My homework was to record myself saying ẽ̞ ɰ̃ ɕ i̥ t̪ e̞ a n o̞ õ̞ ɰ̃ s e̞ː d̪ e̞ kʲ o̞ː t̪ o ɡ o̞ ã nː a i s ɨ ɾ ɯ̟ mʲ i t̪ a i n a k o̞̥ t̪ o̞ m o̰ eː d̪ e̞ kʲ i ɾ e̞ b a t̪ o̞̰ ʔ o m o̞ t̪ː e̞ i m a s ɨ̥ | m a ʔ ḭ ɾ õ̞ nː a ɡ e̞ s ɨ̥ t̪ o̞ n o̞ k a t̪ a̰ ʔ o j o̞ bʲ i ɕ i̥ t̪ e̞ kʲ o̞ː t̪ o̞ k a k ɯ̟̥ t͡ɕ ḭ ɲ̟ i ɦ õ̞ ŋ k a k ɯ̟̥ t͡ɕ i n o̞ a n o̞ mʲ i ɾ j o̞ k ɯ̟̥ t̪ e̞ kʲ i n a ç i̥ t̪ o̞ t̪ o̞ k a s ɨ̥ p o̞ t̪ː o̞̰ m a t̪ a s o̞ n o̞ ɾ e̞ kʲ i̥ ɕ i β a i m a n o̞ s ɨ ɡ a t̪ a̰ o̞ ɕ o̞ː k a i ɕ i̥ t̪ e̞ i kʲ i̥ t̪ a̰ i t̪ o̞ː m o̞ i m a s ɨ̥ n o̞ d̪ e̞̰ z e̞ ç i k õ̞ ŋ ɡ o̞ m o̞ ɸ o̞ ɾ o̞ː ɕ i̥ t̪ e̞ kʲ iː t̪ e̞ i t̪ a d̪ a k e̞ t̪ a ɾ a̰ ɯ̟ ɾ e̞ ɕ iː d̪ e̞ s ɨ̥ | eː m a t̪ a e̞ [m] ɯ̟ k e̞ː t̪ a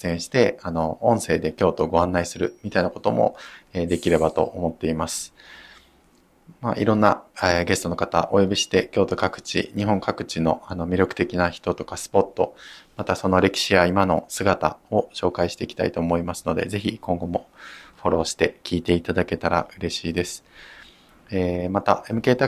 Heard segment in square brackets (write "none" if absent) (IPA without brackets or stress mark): m